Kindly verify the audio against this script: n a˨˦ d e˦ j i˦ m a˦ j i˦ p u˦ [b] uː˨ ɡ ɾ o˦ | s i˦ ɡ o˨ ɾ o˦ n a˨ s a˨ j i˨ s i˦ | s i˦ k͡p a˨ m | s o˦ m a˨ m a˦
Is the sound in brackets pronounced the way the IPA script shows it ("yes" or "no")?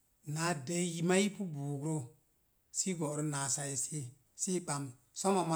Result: yes